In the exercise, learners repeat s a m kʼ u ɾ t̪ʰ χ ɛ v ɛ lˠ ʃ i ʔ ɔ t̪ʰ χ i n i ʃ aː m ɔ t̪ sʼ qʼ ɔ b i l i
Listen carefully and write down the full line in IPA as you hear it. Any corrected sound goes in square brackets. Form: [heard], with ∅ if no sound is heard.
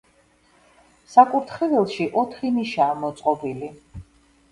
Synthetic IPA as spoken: s a [∅] kʼ u ɾ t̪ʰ χ ɛ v ɛ lˠ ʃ i ʔ ɔ t̪ʰ χ i n i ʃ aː m ɔ t̪ sʼ qʼ ɔ b i l i